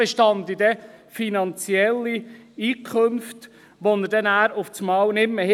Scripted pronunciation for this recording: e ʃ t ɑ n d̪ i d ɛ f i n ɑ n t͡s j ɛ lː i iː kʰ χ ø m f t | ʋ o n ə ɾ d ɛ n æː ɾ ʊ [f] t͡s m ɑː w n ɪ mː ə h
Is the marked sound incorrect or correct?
correct